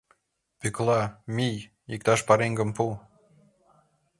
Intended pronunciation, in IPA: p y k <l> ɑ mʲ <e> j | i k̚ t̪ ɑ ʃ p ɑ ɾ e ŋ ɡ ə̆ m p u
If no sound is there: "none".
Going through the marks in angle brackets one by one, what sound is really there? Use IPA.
l, i

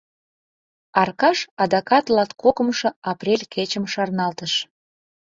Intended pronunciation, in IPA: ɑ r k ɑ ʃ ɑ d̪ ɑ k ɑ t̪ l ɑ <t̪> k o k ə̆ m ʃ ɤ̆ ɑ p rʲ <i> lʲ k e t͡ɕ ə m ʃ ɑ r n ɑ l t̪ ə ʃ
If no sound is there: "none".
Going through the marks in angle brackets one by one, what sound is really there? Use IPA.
t̪, e

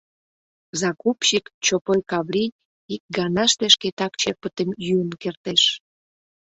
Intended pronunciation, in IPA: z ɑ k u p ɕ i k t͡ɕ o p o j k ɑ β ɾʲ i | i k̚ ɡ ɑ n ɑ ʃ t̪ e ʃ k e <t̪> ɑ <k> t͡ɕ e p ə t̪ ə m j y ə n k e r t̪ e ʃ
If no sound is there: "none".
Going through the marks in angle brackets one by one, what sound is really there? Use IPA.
t̪, k

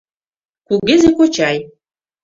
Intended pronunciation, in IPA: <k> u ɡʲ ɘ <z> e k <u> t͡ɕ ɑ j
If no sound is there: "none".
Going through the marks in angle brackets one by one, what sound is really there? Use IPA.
k, z, o

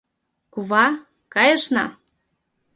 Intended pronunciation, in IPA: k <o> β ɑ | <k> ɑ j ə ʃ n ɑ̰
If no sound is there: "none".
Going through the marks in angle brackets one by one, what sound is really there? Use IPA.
u, k

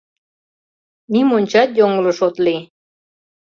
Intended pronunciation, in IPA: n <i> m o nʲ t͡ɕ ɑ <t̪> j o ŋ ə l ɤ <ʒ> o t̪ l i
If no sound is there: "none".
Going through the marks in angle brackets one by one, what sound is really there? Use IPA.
i, t̪, ʃ

